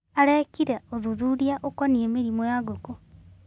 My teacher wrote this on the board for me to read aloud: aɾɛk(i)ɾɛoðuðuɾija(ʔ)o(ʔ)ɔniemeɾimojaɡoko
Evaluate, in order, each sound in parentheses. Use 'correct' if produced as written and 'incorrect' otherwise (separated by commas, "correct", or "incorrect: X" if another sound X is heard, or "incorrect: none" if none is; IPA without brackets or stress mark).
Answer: correct, correct, incorrect: k